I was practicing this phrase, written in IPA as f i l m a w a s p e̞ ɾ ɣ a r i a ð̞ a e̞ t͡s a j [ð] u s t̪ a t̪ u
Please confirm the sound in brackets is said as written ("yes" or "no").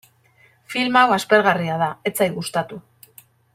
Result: no